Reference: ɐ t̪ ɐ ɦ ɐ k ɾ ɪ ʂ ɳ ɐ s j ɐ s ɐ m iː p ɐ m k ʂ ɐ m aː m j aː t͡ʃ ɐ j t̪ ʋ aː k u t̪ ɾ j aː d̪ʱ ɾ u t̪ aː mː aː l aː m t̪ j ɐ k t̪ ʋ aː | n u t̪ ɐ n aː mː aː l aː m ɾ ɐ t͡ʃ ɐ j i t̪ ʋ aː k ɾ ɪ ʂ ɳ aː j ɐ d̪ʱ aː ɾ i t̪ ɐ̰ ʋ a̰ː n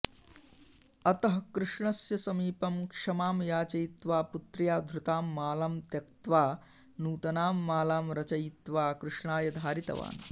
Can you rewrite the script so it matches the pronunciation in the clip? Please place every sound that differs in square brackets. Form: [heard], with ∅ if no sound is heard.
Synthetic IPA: ɐ t̪ ɐ ɦ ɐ k ɾ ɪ ʂ ɳ ɐ s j ɐ s ɐ m iː p ɐ m k ʂ ɐ m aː m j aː t͡ʃ ɐ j t̪ ʋ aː [p] u t̪ ɾ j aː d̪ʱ ɾ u t̪ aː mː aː l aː m t̪ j ɐ k t̪ ʋ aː | n [uː] t̪ ɐ n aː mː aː l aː m ɾ ɐ t͡ʃ ɐ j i t̪ ʋ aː k ɾ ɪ ʂ ɳ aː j ɐ d̪ʱ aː ɾ i t̪ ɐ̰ ʋ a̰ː n

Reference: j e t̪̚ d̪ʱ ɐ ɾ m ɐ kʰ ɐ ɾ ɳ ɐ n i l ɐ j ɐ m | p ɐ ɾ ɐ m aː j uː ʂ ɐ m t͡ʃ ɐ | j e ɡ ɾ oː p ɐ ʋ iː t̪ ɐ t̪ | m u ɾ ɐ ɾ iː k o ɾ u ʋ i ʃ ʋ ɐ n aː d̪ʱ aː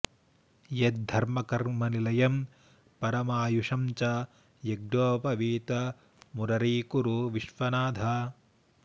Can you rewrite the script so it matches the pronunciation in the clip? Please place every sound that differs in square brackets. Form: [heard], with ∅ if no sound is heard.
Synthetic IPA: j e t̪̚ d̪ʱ ɐ ɾ m ɐ [k] ɐ ɾ [m] ɐ n i l ɐ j ɐ m | p ɐ ɾ ɐ m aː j [u] ʂ ɐ m t͡ʃ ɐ | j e ɡ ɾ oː p ɐ ʋ iː t̪ ɐ [∅] | m u ɾ ɐ ɾ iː k [u] ɾ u ʋ i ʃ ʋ ɐ n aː d̪ʱ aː

